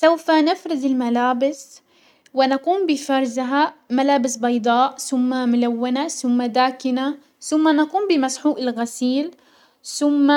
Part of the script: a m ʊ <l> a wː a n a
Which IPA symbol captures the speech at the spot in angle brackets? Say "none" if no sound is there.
l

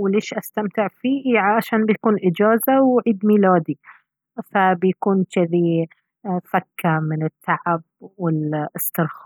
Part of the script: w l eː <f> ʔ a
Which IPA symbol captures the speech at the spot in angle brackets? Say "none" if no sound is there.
ʃ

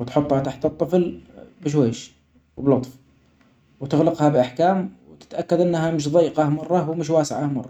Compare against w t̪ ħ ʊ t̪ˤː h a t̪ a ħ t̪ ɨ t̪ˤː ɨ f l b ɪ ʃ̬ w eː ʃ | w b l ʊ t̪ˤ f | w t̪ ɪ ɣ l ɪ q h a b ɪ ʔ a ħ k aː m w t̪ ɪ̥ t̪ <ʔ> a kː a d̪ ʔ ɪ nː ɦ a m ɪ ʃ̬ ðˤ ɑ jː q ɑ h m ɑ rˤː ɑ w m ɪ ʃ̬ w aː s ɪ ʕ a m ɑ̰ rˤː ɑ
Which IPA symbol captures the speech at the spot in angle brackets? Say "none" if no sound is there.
ʔ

